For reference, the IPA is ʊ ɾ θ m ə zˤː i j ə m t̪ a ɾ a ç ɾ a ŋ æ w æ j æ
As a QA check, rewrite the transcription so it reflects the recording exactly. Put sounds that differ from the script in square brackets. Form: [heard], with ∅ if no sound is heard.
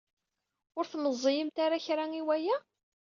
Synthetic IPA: ʊ ɾ θ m ə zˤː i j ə m t̪ a ɾ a ç ɾ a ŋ [i] w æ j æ

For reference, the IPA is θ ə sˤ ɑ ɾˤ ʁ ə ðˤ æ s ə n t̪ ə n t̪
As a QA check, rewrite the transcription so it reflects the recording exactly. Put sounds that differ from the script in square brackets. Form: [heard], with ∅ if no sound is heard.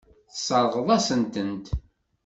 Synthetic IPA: θ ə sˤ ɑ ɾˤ ʁ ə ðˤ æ s ə n t̪ ə n t̪

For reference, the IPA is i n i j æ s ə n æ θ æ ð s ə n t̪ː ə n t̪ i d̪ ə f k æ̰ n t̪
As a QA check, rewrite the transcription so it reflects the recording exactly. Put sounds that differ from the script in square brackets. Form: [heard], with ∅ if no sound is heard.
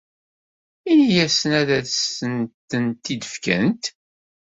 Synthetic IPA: i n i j æ s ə n æ [ð] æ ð s ə n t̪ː ə n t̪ i d̪ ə f k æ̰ n t̪

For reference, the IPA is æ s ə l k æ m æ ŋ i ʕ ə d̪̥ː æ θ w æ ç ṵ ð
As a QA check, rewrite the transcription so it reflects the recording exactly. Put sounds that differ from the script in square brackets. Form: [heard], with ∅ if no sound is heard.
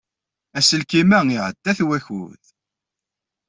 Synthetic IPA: æ s ə l k [i] m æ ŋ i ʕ ə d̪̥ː æ θ w æ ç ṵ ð

